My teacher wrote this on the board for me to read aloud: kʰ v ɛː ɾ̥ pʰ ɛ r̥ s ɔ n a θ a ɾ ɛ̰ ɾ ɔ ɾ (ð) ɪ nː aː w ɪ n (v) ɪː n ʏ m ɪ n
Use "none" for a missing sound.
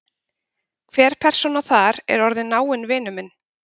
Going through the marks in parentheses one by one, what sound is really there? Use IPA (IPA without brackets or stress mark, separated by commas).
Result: ð, v